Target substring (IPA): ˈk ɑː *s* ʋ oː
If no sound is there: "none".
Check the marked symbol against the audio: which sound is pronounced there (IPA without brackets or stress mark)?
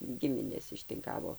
none